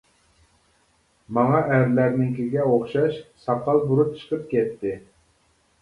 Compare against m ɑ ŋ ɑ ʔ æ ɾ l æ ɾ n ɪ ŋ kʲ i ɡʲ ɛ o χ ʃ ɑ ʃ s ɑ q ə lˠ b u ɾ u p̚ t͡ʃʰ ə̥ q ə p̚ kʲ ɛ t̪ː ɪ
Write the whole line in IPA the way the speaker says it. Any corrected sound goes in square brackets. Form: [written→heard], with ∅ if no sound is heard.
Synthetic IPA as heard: m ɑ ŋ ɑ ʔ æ ɾ l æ ɾ n ɪ ŋ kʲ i ɡʲ ɛ o χ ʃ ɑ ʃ s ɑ q [ə→ɑ] lˠ b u ɾ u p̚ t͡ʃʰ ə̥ q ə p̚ kʲ ɛ t̪ː ɪ